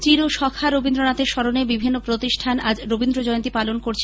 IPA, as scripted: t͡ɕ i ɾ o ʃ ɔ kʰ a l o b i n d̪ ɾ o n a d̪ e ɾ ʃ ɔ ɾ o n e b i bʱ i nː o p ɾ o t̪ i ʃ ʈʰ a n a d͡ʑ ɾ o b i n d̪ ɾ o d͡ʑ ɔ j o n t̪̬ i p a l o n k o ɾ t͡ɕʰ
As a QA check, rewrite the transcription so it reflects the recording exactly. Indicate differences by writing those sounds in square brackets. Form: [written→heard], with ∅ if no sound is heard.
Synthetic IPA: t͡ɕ i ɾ o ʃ ɔ kʰ a [l→ɾ] o b i n d̪ ɾ o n a [d̪→t̪] e ɾ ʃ ɔ ɾ o n e b i bʱ i nː o p ɾ o t̪ i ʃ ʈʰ a n a d͡ʑ ɾ o b i n d̪ ɾ o d͡ʑ ɔ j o n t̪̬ i p a l o n k o ɾ t͡ɕʰ